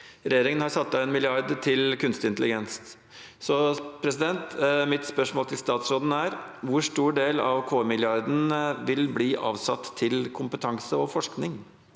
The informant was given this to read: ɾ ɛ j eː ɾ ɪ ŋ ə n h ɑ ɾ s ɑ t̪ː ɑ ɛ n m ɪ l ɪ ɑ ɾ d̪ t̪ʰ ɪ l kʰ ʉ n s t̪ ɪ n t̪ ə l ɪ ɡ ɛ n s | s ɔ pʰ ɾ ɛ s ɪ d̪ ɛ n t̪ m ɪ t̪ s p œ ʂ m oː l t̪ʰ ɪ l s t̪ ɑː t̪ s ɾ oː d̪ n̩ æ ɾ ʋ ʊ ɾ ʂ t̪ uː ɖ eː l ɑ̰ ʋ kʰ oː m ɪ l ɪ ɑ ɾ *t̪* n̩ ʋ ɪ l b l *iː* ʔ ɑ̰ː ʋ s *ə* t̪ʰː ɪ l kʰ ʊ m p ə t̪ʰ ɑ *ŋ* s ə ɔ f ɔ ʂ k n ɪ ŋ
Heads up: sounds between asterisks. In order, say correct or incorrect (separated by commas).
incorrect, correct, incorrect, correct